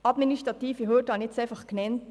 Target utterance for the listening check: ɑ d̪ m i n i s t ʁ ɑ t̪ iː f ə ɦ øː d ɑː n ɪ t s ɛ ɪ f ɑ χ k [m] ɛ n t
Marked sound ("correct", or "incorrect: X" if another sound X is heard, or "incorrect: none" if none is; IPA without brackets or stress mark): incorrect: n